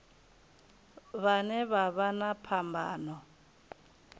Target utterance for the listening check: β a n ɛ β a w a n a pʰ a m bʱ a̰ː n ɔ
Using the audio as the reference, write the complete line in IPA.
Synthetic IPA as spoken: β a n ɛ β a β a n a pʰ a m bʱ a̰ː n ɔ